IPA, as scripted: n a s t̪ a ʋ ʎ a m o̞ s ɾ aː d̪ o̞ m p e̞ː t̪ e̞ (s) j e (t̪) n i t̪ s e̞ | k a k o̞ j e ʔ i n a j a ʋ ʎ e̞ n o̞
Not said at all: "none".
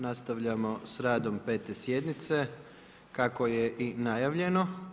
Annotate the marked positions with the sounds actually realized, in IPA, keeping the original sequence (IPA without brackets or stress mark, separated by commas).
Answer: s, d̪